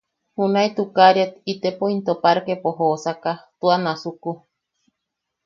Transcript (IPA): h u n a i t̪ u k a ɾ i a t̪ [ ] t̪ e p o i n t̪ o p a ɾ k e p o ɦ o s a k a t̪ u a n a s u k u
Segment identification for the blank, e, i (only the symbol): i